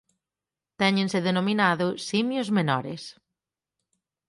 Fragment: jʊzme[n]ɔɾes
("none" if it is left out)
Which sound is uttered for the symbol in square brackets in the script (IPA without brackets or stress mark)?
n